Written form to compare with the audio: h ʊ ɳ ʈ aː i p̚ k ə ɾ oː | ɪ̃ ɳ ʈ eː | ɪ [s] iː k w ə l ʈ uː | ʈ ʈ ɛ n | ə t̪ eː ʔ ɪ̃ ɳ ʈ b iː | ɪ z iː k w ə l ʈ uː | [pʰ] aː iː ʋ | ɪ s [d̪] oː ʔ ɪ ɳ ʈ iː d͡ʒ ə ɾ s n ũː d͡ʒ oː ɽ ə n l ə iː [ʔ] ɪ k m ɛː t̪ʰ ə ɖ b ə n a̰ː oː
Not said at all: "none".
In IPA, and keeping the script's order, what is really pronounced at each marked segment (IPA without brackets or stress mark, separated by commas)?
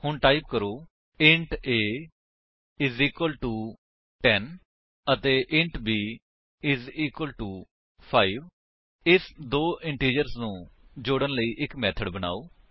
z, pʰ, d̪, ʔ